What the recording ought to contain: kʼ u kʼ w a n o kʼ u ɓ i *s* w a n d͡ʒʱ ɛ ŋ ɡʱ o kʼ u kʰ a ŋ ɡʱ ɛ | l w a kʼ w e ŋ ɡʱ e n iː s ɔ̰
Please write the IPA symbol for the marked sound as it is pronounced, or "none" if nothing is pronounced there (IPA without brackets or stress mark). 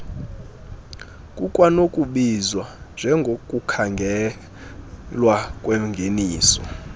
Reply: z